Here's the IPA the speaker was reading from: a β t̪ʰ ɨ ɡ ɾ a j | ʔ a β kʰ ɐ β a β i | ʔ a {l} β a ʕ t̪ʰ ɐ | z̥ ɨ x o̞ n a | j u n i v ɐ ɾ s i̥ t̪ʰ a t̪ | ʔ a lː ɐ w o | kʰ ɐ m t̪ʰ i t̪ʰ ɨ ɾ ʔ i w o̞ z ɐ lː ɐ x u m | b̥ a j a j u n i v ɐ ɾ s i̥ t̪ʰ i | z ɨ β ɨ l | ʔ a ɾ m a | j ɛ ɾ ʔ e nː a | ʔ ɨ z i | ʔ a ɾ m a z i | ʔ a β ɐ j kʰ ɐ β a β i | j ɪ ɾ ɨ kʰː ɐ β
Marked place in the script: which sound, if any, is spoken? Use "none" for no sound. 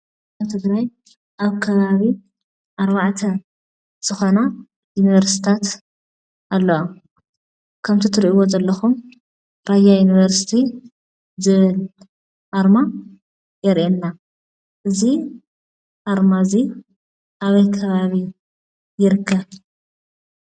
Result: ɾ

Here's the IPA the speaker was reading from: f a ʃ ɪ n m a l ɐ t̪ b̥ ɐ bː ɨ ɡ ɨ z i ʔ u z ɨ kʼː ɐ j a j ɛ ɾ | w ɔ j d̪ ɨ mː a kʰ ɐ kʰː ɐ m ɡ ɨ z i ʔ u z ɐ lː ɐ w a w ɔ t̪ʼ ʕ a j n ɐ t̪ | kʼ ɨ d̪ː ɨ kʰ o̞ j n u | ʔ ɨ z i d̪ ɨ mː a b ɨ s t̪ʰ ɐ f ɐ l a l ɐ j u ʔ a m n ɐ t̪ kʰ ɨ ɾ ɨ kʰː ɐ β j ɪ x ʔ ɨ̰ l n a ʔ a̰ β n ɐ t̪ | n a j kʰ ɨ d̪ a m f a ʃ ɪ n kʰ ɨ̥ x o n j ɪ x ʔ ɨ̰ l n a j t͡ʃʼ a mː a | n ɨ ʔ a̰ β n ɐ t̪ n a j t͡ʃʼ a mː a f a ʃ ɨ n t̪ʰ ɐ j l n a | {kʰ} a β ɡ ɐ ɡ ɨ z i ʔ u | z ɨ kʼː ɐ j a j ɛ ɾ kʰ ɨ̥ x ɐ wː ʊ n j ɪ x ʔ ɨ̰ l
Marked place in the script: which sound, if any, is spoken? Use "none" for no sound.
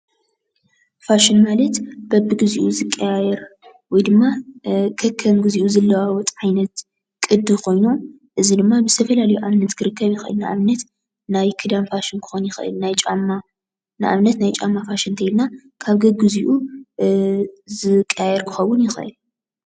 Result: kʰ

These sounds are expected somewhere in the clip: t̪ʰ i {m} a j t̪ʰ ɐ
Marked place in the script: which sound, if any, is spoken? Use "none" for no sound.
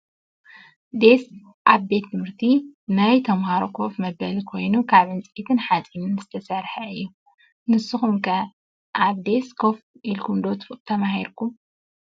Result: n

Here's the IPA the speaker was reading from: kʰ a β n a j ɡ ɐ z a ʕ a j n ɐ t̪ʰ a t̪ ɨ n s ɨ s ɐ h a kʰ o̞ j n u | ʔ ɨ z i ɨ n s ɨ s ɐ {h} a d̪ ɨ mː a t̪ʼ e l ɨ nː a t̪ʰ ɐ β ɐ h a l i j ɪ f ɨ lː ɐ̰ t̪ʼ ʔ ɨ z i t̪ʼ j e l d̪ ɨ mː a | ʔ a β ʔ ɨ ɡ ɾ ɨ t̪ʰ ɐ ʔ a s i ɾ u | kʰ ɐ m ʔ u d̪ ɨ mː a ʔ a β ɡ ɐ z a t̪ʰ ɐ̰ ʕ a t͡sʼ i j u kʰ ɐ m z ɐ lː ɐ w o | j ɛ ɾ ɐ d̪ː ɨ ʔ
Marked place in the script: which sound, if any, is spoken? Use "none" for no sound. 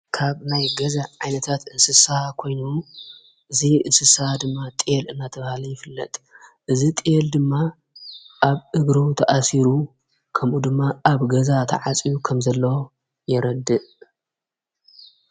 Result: h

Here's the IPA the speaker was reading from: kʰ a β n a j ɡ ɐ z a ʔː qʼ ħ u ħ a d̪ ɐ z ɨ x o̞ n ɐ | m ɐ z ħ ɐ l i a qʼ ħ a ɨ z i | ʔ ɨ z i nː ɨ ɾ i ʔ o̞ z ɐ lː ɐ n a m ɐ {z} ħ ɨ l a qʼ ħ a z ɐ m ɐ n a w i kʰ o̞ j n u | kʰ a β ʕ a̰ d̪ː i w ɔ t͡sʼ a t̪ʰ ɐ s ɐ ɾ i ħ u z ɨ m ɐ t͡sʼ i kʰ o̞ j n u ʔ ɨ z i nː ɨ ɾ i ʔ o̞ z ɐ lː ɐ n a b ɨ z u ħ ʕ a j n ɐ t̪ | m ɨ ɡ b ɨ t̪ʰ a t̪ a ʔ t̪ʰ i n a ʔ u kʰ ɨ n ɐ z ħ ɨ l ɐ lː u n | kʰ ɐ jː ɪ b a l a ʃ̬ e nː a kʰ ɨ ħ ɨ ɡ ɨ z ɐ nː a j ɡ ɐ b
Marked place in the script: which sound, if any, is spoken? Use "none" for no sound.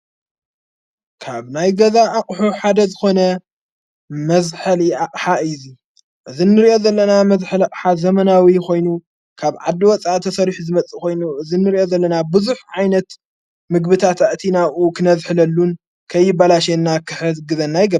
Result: z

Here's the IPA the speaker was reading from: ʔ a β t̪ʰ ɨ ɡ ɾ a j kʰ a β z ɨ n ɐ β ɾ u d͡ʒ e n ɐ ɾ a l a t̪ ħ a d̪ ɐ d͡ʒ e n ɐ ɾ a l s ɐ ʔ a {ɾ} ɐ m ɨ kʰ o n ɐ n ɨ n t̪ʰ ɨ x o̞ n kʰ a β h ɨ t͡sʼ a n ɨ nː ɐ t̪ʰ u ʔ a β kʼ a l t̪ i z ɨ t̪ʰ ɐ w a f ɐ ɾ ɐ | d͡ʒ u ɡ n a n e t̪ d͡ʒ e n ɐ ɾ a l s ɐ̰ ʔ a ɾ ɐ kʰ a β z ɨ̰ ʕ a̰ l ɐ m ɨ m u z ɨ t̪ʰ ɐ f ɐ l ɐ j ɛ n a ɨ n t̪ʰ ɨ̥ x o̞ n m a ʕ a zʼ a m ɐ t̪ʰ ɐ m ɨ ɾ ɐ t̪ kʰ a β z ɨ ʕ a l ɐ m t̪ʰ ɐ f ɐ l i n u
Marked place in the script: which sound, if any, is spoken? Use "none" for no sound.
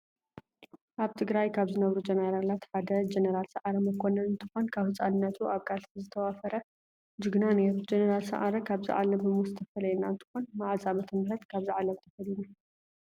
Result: ɾ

